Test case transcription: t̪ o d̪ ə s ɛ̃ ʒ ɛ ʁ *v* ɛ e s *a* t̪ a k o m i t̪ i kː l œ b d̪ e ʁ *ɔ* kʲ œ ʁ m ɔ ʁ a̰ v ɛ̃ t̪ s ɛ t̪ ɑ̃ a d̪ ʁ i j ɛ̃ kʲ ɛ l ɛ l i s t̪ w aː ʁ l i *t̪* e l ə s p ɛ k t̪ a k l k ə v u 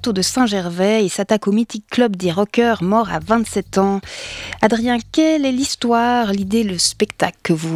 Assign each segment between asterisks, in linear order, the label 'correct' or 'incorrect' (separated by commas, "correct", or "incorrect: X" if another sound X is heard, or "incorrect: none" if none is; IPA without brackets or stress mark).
correct, correct, correct, incorrect: d̪